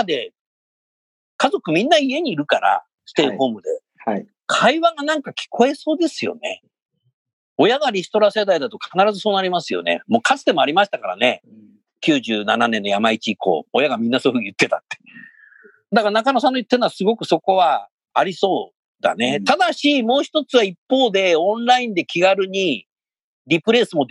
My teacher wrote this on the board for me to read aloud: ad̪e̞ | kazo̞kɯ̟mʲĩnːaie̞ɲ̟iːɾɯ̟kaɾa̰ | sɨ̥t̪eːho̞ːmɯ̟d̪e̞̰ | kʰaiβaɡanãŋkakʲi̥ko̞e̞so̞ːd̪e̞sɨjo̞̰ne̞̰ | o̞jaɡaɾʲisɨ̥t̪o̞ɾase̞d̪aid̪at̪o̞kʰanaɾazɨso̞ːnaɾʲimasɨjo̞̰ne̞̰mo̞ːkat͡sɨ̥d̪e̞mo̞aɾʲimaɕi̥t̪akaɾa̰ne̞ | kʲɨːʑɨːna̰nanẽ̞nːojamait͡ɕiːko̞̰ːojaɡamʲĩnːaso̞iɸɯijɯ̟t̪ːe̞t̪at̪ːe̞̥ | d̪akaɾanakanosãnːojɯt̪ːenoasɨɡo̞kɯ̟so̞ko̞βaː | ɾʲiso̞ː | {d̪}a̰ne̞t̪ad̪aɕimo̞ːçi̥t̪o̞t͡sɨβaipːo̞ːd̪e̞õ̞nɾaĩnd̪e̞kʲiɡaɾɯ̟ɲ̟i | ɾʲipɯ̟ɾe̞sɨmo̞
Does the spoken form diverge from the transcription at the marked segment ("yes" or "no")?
no